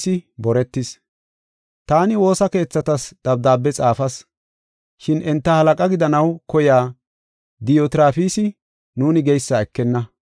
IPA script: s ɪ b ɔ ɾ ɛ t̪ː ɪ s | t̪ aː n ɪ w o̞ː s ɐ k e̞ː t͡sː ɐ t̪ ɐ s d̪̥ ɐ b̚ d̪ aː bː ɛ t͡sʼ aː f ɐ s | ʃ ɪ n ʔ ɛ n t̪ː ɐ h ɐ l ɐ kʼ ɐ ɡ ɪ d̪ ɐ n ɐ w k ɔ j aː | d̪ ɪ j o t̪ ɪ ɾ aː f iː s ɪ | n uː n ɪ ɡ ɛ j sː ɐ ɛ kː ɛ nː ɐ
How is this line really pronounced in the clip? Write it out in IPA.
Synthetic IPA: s ɪ b ɔ ɾ ɛ t̪ː ɪ s | t̪ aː n ɪ w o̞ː s ɐ k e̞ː t͡sː ɐ t̪ ɐ s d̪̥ ɐ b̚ d̪ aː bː ɛ t͡sʼ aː f ɐ s | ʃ ɪ n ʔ ɛ n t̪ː ɐ h ɐ l ɐ kʼ ɐ ɡ ɪ d̪ ɐ n ɐ w k ɔ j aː | d̪ ɪ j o t̪ ɪ ɾ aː f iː s ɪ | n uː n ɪ ɡ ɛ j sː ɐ ɛ kː ɛ nː ɐ